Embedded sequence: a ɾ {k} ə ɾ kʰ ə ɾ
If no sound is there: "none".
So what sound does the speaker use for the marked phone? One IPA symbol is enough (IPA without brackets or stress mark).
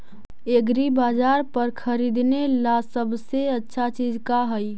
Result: p